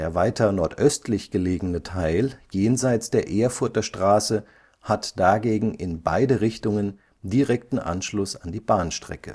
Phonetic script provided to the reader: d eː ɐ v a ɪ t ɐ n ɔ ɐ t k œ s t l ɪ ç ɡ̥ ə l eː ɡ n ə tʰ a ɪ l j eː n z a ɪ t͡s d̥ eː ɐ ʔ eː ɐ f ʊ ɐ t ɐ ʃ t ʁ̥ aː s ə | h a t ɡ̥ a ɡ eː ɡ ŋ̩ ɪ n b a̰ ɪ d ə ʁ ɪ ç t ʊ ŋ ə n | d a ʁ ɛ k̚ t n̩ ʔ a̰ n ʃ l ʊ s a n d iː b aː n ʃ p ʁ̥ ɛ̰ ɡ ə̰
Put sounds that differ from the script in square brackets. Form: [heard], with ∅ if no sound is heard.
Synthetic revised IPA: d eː ɐ v a ɪ t ɐ n ɔ ɐ t [ʔ] œ s t l ɪ ç ɡ̥ ə l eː ɡ n ə tʰ a ɪ l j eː n z a ɪ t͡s d̥ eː ɐ ʔ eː ɐ f ʊ ɐ t ɐ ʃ t ʁ̥ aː s ə | h a t [d̥] a ɡ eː ɡ ŋ̩ ɪ n b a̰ ɪ d ə ʁ ɪ ç t ʊ ŋ ə n | d [i] ʁ ɛ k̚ t n̩ ʔ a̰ n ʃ l ʊ s a n d iː b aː n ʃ [t] ʁ̥ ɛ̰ [k] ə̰